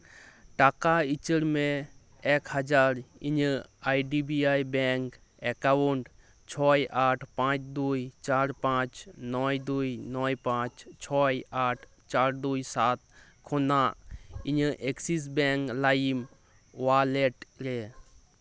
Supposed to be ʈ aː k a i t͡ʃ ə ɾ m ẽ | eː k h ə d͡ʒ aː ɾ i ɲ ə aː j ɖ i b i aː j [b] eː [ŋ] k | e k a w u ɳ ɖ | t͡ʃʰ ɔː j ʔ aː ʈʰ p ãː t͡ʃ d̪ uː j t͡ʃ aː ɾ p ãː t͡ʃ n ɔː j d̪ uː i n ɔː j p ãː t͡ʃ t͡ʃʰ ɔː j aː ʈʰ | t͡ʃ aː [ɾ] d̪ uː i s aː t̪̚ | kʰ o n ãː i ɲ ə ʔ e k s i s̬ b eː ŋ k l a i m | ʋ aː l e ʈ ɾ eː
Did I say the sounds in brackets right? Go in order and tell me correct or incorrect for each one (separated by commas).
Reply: correct, correct, correct